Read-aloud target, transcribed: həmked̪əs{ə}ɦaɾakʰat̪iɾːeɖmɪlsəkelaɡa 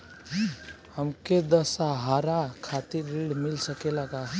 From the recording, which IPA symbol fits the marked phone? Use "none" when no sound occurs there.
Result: a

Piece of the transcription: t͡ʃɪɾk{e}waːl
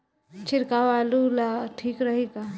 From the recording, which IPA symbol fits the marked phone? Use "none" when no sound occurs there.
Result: a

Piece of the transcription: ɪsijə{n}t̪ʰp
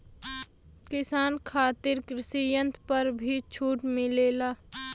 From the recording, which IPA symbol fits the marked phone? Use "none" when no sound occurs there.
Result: n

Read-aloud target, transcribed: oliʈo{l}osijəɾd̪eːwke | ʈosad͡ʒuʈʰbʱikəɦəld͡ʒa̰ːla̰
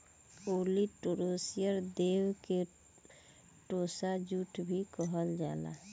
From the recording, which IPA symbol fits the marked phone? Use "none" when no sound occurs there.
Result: ɾ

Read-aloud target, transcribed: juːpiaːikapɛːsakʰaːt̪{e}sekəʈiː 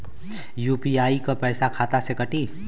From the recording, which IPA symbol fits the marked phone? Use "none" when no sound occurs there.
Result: a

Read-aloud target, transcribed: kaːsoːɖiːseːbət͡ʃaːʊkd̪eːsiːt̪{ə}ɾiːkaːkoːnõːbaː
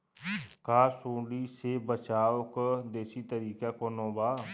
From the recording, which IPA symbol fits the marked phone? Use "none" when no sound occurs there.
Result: ə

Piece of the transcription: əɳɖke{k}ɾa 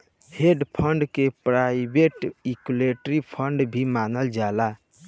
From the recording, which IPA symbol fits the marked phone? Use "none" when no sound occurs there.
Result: p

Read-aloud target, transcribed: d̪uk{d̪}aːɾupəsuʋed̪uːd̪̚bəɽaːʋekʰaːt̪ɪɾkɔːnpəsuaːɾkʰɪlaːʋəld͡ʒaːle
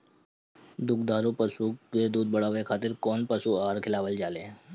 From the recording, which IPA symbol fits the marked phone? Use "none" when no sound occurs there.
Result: d̪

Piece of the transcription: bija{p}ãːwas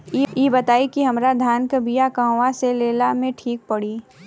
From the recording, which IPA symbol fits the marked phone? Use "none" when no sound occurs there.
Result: k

